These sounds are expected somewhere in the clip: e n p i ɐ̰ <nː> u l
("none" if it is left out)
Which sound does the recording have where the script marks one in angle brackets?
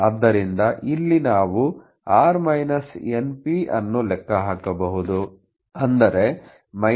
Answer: nː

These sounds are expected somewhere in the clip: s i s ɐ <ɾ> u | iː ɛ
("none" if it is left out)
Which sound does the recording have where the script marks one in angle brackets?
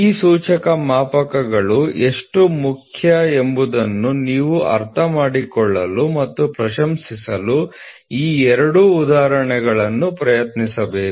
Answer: l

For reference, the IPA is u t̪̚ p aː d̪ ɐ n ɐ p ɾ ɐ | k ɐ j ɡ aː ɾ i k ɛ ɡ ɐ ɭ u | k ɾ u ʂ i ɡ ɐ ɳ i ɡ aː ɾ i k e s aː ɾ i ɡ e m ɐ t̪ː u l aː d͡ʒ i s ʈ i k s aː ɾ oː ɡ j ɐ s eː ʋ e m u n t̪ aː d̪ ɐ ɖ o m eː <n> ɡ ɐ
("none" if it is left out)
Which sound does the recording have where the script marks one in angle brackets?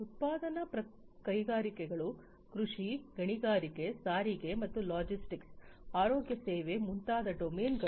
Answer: n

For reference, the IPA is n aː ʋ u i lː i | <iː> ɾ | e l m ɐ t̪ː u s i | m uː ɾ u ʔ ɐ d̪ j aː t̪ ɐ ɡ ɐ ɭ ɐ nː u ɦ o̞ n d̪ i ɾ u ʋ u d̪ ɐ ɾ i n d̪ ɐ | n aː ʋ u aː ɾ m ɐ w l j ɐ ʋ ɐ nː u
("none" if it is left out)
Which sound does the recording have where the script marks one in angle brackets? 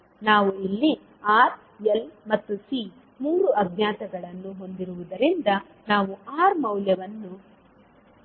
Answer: aː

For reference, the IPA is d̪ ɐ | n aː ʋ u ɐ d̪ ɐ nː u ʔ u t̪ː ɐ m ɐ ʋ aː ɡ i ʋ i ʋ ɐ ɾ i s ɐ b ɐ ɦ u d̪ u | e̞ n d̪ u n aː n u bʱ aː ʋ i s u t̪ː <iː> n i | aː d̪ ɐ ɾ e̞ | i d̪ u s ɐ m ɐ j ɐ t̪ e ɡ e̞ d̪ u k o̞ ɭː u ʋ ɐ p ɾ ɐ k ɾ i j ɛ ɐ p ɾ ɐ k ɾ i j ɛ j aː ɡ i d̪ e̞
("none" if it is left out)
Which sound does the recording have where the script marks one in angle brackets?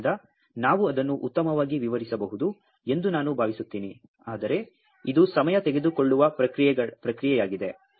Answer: iː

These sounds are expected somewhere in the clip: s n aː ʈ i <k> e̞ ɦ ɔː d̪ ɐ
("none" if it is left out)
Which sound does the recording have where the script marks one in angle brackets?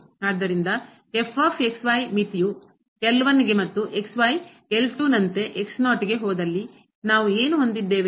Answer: ɡ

